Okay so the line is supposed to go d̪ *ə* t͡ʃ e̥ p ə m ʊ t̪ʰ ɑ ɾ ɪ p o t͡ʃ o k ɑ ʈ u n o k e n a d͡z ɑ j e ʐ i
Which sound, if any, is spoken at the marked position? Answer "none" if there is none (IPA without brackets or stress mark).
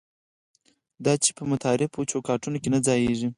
ɑ